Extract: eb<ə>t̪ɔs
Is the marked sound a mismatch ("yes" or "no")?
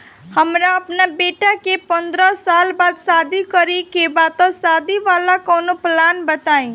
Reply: yes